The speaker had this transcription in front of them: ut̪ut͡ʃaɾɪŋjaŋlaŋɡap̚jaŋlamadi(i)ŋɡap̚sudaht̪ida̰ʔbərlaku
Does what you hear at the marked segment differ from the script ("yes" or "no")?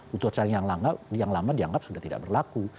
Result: yes